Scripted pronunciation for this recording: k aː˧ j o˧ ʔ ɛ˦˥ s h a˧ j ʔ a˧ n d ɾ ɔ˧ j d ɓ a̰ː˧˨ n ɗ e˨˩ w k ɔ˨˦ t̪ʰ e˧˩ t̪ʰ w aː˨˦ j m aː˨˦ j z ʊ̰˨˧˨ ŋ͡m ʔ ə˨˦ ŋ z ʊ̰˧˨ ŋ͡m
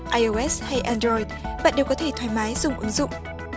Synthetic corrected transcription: ʔ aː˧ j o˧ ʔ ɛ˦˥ s h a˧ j ʔ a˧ n d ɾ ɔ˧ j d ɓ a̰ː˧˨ n ɗ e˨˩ w k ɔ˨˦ t̪ʰ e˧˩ t̪ʰ w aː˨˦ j m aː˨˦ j z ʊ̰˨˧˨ ŋ͡m ʔ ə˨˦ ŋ z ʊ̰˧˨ ŋ͡m